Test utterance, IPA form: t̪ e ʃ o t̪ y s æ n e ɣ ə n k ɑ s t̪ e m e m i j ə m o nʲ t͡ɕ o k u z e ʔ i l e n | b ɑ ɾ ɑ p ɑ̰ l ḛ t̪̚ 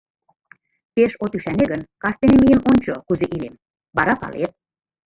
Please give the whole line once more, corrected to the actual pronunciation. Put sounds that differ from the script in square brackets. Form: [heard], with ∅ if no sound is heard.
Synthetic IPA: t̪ e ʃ o t̪ y [ʃ] æ n e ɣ ə n k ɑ s t̪ e [n] e m i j ə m o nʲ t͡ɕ o k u z e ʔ i l e [m] | b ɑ ɾ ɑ p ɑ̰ l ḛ t̪̚